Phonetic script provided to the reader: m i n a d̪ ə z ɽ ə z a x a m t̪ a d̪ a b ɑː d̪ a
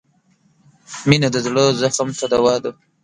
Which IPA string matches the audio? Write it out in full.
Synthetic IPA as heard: m i n a d̪ ə z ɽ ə z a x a m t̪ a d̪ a w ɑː d̪ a